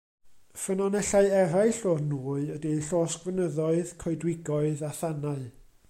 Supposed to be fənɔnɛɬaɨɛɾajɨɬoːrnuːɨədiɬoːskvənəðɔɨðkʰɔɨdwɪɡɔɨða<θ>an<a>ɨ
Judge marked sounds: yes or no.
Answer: yes, yes

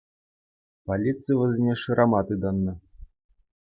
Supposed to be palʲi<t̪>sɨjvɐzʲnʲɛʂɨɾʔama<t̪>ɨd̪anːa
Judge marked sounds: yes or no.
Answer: yes, yes

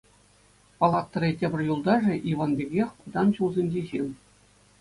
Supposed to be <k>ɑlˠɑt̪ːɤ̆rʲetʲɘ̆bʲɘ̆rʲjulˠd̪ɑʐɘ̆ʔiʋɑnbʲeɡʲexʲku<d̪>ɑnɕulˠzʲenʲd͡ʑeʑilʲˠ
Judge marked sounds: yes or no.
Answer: no, yes

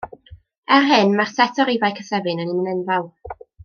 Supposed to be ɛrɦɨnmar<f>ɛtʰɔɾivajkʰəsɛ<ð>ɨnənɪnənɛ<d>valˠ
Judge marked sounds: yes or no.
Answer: no, no, no

